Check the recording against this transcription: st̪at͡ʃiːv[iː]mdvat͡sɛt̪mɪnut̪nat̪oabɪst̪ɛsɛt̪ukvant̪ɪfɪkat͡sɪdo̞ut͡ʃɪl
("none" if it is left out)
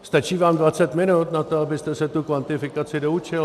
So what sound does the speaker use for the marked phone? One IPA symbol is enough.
aː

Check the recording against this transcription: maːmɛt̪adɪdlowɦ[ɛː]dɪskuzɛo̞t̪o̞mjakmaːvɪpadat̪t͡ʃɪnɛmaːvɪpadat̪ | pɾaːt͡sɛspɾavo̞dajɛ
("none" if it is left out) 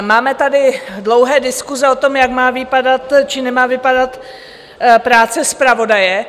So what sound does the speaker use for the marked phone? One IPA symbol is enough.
ɛː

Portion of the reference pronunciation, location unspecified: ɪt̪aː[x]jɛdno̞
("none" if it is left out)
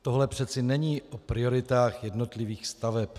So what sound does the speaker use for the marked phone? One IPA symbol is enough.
x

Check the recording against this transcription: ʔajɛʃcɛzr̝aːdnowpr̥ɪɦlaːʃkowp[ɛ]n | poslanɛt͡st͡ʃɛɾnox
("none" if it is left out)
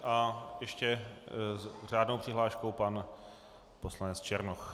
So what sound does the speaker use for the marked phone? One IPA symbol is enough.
a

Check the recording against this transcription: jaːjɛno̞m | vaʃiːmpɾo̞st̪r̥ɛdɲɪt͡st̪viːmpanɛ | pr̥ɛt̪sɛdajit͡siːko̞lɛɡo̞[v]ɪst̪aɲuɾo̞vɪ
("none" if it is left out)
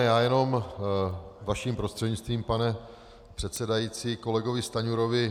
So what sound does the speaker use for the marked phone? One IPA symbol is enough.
v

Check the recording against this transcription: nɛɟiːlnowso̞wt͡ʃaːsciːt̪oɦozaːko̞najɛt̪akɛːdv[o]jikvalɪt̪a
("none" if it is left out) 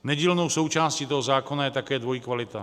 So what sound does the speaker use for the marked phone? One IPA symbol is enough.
o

